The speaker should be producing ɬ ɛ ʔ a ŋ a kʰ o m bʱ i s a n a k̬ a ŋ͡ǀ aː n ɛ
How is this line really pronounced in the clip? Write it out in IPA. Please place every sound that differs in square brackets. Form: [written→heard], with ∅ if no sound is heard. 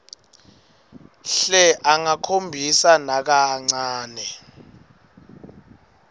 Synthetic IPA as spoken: ɬ ɛ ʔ a ŋ a kʰ o m bʱ i s a n a k̬ a ŋ͡ǀ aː n ɛ